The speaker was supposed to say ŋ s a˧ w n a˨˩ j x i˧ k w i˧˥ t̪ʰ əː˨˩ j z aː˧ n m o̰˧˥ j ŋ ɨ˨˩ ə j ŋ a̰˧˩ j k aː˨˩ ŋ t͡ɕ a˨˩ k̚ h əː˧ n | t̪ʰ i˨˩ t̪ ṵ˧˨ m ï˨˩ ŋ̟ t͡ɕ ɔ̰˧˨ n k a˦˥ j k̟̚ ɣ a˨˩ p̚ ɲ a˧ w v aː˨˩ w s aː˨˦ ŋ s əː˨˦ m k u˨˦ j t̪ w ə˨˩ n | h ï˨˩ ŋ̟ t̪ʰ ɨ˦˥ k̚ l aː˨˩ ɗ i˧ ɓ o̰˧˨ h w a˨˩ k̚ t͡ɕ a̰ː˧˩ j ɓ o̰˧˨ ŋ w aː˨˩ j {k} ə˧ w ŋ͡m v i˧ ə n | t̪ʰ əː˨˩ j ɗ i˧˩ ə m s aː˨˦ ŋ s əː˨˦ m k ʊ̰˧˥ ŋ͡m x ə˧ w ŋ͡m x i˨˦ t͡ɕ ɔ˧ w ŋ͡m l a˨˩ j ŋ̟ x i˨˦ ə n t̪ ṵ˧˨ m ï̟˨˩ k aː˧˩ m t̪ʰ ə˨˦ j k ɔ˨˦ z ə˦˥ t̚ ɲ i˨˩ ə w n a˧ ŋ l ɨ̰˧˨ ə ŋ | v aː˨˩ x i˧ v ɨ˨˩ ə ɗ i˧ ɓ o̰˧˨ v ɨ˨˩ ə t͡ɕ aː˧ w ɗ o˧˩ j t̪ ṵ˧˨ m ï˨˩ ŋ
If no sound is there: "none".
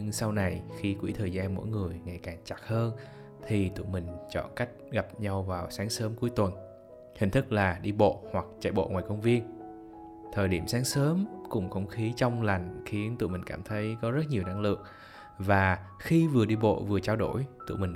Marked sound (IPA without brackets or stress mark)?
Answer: k